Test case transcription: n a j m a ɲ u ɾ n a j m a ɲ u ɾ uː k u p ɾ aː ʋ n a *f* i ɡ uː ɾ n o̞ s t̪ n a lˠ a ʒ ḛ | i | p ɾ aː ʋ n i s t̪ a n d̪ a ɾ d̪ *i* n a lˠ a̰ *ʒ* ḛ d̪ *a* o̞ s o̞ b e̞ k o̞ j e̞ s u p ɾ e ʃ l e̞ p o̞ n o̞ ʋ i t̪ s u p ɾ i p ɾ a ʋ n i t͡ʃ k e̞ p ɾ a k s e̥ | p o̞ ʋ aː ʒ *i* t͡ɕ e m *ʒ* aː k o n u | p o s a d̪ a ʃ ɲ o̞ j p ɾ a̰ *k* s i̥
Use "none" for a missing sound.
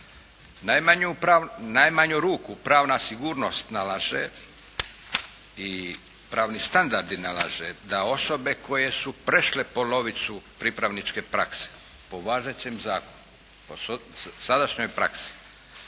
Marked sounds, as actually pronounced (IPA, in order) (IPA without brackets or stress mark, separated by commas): s, i, ʒ, a, e, z, k